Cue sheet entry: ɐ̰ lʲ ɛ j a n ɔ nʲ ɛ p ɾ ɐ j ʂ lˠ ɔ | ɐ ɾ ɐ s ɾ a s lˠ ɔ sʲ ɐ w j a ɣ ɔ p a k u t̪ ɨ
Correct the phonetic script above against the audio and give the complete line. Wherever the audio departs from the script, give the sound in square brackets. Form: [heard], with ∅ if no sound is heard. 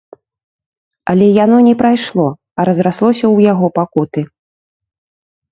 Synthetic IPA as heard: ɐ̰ lʲ ɛ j a n ɔ nʲ ɛ p ɾ [a] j ʂ lˠ ɔ | ɐ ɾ ɐ [z] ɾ a s lˠ ɔ sʲ ɐ w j a ɣ ɔ p a k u t̪ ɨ